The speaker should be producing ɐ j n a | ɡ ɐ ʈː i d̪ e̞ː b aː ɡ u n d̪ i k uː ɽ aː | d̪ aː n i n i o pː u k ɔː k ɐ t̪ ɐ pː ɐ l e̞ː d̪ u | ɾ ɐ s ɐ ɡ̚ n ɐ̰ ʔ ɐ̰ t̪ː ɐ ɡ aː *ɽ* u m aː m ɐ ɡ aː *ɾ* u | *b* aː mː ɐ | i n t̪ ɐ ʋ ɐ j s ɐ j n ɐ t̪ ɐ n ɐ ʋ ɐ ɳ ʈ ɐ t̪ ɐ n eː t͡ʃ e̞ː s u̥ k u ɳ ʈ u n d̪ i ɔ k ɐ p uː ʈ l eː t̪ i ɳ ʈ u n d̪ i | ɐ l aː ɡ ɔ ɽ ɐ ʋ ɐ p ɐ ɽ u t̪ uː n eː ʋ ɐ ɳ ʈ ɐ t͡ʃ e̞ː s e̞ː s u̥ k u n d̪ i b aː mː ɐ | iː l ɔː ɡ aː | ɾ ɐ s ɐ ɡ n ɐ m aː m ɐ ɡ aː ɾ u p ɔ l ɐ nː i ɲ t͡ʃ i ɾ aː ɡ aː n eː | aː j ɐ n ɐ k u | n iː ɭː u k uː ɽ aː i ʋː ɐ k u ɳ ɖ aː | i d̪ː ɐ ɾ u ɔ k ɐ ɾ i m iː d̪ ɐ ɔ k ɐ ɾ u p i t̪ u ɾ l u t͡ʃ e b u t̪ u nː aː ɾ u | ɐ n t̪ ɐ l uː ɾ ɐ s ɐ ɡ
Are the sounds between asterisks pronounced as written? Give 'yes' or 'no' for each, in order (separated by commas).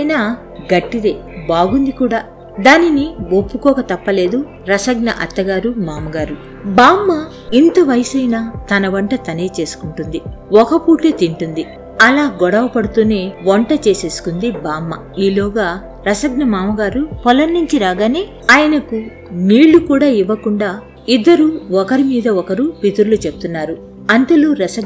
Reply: no, yes, yes